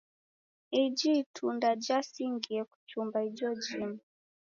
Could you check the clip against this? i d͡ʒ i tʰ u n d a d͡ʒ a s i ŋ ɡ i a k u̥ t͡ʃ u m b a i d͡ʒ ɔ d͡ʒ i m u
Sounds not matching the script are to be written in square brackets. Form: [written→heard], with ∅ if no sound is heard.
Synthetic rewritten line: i d͡ʒ i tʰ u n d a d͡ʒ a s i ŋ ɡ i [a→ɛ] k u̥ t͡ʃ u m b a i d͡ʒ ɔ d͡ʒ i m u